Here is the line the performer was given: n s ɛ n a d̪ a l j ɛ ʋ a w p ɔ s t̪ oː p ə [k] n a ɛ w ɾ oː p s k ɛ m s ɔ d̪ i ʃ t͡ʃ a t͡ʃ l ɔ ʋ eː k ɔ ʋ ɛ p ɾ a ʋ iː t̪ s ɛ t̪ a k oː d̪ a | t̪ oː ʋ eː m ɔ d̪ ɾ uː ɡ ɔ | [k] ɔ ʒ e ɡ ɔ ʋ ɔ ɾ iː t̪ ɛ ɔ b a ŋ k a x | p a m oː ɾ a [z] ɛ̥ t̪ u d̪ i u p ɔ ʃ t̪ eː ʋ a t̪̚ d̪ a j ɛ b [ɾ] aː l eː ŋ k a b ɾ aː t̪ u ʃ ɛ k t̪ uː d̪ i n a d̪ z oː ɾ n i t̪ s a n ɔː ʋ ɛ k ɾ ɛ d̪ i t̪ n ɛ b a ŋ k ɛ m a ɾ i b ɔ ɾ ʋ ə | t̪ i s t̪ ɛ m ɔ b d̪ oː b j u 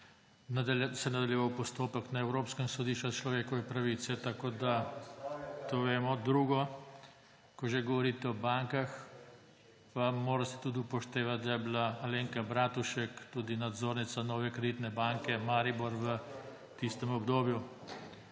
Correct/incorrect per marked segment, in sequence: correct, correct, incorrect: s, incorrect: l

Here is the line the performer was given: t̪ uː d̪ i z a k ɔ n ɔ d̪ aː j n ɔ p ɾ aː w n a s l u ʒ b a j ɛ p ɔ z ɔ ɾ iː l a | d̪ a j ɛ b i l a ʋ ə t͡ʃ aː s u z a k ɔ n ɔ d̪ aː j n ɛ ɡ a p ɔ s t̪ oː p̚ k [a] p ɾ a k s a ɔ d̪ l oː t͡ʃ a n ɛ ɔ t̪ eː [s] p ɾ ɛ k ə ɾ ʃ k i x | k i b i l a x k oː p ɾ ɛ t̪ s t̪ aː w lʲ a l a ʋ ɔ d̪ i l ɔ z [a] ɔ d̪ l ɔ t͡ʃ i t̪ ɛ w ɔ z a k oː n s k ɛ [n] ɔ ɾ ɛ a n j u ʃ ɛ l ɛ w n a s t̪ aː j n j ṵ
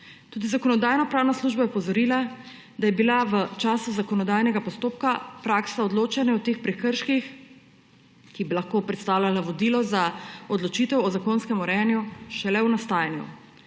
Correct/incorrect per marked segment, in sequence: correct, incorrect: x, correct, incorrect: m

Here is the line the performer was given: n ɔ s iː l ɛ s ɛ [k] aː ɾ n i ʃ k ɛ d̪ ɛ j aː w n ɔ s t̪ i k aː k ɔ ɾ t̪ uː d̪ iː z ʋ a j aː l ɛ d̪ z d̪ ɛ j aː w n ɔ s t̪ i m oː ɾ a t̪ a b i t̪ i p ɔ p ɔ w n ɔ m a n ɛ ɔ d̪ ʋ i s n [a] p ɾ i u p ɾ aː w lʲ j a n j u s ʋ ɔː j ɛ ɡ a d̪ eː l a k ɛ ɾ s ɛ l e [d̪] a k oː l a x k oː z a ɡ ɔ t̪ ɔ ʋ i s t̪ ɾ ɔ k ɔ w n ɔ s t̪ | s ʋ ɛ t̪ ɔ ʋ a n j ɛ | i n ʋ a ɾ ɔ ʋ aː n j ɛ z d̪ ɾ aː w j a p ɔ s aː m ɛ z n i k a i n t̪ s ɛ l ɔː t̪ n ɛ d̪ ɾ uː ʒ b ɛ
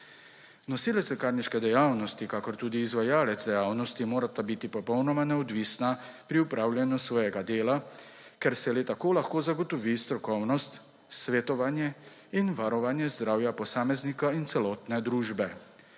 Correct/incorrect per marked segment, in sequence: correct, correct, incorrect: t̪

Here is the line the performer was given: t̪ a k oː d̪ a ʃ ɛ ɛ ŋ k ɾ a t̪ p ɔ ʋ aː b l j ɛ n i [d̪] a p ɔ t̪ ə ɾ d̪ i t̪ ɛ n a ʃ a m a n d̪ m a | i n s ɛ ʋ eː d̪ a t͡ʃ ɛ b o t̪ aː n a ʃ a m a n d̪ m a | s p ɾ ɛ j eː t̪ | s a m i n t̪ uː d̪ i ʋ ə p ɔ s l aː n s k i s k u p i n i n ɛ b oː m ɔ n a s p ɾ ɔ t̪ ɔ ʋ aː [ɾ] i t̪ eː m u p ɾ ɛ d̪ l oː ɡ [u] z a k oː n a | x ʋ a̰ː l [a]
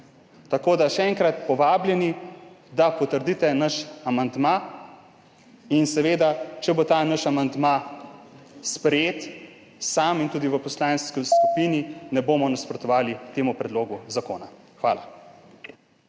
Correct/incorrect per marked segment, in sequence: correct, incorrect: l, correct, correct

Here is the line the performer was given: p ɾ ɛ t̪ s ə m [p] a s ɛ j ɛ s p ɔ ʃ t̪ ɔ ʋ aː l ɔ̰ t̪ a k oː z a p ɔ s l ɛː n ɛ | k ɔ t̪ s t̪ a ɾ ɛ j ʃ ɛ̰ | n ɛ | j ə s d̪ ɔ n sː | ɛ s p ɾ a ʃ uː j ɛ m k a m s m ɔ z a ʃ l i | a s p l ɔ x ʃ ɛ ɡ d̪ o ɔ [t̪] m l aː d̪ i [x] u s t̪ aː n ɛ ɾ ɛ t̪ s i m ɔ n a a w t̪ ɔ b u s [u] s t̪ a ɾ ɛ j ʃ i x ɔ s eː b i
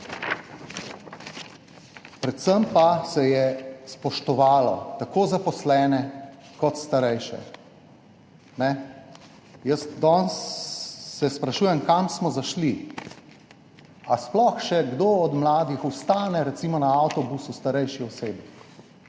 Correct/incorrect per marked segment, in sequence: correct, incorrect: d̪, correct, correct

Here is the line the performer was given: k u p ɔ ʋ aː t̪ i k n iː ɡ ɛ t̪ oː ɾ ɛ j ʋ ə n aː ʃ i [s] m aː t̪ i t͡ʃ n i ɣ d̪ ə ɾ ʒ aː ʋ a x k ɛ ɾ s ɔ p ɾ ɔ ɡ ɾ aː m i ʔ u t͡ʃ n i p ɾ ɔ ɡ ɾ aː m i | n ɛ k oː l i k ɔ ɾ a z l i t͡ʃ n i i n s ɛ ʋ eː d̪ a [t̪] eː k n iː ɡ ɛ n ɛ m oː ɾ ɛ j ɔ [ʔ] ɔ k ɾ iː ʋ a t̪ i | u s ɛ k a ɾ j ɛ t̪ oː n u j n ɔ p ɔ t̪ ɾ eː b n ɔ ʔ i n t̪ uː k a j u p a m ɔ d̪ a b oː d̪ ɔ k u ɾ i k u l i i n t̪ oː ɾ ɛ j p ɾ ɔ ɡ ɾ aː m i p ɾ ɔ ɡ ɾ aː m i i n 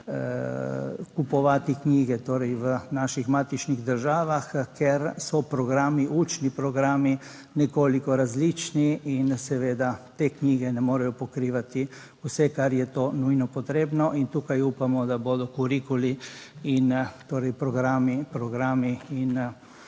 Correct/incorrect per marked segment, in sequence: incorrect: x, correct, incorrect: p

